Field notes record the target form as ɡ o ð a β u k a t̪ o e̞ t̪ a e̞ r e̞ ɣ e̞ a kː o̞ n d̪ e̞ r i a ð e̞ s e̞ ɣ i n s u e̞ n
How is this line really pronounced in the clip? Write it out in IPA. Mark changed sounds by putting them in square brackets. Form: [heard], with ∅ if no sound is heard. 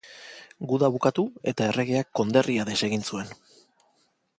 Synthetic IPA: ɡ [u] ð a β u k a t̪ [u] e̞ t̪ a e̞ r e̞ ɣ e̞ a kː o̞ n d̪ e̞ r i a ð e̞ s e̞ ɣ i n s u e̞ n